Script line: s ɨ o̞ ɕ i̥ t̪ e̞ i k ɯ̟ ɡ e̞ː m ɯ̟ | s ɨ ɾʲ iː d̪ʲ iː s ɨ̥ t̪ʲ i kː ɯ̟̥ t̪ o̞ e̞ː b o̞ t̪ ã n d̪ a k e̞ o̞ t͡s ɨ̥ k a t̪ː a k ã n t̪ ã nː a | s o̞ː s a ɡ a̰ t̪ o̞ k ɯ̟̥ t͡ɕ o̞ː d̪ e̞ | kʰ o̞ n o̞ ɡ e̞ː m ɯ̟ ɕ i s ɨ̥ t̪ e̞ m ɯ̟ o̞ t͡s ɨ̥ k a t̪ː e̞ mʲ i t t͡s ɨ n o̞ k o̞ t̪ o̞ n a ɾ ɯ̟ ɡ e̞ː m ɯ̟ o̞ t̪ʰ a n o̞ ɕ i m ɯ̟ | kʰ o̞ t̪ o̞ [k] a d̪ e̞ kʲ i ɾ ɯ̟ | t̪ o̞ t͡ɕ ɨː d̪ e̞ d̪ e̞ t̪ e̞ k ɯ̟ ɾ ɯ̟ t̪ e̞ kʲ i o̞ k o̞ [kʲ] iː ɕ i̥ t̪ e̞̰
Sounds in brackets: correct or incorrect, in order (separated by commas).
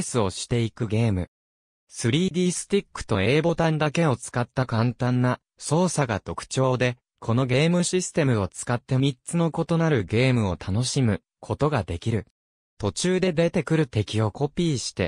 incorrect, incorrect